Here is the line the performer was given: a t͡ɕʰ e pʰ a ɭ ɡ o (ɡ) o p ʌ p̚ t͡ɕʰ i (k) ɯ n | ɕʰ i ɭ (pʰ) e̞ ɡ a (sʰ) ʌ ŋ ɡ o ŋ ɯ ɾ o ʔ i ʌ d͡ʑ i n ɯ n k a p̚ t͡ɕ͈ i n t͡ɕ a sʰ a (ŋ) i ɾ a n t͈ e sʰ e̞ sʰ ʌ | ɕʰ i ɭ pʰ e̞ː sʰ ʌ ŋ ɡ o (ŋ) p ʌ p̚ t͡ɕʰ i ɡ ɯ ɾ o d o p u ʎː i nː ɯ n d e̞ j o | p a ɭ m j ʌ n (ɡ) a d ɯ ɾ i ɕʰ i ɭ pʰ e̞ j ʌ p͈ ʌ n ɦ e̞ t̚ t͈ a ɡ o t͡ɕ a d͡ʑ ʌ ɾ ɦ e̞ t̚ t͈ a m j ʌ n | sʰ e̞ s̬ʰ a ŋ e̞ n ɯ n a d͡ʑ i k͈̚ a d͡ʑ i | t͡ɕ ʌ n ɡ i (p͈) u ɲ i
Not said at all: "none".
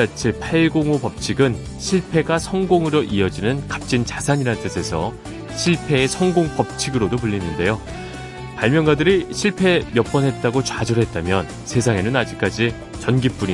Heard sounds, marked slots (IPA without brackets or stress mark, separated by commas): ŋ, ɡ, pʰ, sʰ, ɲ, ŋ, ɡ, p͈